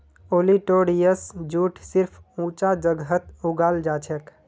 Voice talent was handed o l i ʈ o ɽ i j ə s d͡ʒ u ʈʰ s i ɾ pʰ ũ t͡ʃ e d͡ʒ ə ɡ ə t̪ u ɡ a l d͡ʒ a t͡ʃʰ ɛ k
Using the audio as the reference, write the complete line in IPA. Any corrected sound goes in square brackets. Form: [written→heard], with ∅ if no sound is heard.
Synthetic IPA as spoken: o l i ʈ o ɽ i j ə s d͡ʒ u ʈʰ s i ɾ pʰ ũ t͡ʃ [e→a] d͡ʒ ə ɡ ə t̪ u ɡ a l d͡ʒ a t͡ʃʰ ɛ k